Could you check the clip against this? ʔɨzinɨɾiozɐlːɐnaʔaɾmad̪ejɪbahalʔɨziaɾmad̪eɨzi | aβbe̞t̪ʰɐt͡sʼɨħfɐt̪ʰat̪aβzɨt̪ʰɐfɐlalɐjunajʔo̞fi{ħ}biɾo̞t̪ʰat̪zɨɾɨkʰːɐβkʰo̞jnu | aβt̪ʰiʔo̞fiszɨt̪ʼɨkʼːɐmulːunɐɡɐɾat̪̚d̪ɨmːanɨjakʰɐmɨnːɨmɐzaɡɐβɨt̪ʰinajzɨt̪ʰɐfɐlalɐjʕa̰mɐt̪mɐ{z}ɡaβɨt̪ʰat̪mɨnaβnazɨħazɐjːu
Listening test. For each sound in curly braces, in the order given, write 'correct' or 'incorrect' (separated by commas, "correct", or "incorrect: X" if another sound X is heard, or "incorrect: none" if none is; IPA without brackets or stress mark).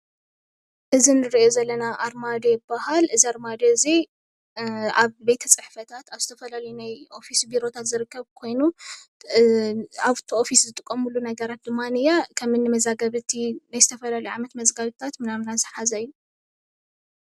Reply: incorrect: s, correct